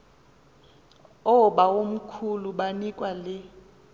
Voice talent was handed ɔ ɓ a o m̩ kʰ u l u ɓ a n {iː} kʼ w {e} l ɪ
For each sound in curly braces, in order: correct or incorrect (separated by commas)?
incorrect, incorrect